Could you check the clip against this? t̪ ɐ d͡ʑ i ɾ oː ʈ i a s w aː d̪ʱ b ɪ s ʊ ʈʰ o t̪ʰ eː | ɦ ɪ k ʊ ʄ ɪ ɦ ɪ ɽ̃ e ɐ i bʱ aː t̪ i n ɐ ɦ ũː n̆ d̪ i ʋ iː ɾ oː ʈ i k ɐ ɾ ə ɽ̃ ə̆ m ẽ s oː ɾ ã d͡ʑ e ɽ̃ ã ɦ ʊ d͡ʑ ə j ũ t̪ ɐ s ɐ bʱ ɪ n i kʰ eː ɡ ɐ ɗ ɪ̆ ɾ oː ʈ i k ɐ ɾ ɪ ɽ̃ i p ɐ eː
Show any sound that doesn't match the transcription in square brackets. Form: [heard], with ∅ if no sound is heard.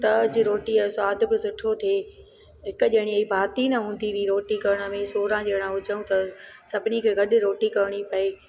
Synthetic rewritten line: t̪ ɐ d͡ʑ i ɾ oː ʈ i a s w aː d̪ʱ b ɪ s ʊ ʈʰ o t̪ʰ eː | ɦ ɪ k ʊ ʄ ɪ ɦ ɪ ɽ̃ [i] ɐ i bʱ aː t̪ i n ɐ ɦ ũː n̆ d̪ i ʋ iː ɾ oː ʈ i k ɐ ɾ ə ɽ̃ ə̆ m ẽ s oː ɾ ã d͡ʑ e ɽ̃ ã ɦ ʊ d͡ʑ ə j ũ t̪ ɐ s ɐ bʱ ɪ n i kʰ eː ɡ ɐ ɗ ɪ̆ ɾ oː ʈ i k ɐ ɾ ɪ ɽ̃ i p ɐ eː